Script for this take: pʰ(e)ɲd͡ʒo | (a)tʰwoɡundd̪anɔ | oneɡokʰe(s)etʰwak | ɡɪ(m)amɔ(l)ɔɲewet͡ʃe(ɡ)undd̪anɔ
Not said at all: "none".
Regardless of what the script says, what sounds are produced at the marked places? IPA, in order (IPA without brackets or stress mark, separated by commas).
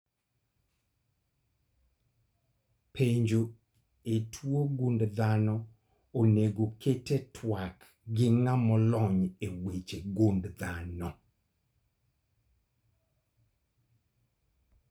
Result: e, e, t, ŋ, l, ɡ